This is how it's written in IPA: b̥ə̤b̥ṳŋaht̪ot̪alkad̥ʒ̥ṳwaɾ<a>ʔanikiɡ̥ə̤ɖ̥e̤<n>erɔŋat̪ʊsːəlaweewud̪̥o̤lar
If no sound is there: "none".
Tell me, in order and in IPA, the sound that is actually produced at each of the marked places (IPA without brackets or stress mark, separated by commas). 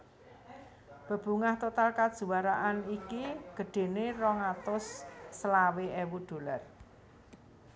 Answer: a, n